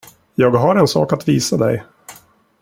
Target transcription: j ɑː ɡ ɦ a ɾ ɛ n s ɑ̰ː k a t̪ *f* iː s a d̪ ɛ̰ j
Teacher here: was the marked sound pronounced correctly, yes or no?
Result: no